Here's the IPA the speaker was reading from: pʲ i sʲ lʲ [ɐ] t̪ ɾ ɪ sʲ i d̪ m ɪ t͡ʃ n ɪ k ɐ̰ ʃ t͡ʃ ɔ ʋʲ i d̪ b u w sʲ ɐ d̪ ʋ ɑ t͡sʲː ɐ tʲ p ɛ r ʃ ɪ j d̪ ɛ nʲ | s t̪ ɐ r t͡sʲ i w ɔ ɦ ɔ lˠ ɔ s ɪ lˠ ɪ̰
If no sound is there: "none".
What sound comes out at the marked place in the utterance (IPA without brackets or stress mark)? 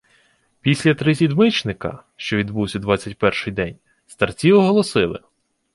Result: ɐ